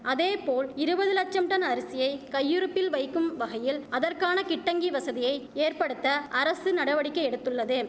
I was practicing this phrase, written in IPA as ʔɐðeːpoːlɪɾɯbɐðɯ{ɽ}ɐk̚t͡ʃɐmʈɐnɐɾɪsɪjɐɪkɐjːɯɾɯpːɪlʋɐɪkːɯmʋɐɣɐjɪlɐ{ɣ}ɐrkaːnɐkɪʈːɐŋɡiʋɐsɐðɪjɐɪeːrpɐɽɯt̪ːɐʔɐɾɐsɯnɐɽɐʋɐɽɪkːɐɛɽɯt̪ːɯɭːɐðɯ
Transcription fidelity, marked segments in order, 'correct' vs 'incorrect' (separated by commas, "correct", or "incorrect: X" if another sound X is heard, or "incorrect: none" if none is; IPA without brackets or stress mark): incorrect: l, incorrect: ð